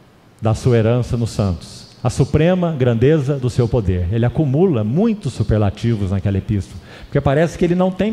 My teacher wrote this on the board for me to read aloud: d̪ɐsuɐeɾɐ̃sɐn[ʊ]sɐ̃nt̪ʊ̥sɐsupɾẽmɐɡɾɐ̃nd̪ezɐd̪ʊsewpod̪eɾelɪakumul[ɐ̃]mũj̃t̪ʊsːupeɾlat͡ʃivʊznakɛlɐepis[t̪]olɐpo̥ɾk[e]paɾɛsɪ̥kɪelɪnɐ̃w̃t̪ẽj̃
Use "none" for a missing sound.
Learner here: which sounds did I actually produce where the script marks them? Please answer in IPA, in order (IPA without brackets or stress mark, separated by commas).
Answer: ʊ, ɐ, t̪, e